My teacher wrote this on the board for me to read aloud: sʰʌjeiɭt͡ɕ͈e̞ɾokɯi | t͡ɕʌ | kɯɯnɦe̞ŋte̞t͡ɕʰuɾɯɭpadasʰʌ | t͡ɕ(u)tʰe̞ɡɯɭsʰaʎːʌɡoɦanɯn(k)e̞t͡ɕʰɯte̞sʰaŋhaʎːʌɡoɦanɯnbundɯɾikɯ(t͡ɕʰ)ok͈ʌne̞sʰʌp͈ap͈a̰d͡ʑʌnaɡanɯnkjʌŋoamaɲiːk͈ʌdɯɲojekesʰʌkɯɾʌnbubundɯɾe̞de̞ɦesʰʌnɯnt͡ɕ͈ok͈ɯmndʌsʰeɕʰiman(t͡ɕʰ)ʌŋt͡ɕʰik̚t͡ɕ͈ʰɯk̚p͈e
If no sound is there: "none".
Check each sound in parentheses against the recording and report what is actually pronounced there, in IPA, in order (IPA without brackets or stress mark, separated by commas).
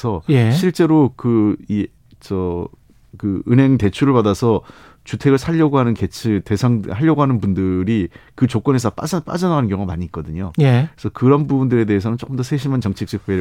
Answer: u, k, t͡ɕ, t͡ɕ